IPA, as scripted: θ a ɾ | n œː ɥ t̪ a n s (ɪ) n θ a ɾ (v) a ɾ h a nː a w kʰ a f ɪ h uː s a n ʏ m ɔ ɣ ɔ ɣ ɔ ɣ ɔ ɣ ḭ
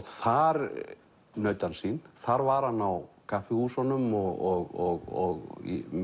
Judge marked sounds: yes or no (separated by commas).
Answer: no, yes